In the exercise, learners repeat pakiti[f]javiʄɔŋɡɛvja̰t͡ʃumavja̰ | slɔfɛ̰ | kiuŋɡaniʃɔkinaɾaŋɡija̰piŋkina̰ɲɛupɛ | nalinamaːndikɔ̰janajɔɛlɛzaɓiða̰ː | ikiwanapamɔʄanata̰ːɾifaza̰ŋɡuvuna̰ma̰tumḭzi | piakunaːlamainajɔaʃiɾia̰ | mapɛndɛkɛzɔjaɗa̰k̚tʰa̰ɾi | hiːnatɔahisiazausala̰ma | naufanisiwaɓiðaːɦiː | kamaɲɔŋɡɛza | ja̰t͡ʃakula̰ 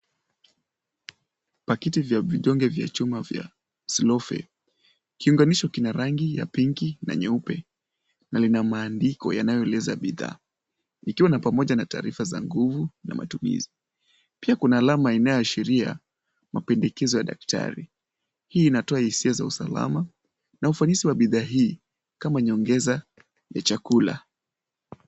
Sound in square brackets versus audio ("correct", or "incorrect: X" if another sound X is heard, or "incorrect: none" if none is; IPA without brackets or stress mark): incorrect: v